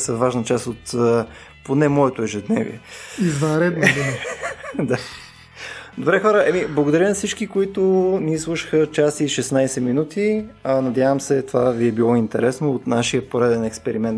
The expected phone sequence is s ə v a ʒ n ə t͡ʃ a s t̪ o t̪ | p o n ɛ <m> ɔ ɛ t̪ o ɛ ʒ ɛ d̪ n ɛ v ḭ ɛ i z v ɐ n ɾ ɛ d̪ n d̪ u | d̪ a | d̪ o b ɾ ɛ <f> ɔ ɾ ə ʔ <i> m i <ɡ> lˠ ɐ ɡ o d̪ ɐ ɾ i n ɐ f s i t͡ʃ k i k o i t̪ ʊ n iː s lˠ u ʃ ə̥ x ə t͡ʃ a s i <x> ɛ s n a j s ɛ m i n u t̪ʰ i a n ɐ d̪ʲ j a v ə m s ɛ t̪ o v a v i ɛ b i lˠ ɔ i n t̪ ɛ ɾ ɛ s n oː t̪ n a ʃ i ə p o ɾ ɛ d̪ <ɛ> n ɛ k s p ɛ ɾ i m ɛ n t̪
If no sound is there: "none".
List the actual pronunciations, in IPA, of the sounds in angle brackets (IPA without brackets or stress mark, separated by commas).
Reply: m, x, ɛ, b, ʃ, ɛ